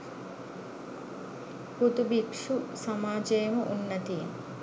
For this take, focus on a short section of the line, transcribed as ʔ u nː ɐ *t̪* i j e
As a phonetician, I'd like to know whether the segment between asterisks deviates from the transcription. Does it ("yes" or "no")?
no